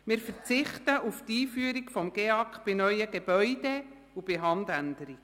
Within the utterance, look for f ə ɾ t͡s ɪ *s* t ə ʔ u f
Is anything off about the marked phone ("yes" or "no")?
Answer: yes